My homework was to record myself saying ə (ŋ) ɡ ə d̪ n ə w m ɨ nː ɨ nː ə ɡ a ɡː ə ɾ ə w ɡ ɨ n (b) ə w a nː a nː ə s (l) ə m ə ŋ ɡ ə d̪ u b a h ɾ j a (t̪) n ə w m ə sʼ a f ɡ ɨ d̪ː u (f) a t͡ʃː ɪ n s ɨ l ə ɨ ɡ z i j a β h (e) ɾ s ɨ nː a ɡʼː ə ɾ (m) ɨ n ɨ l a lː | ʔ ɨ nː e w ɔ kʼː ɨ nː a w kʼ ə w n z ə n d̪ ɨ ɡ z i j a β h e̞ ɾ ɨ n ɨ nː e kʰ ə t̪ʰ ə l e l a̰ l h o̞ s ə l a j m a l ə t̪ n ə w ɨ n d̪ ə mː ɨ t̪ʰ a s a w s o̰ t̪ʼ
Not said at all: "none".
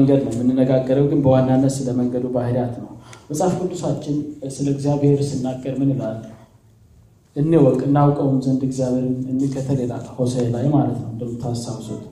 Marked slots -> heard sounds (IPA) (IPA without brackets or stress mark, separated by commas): ŋ, b, l, t̪, s, e, m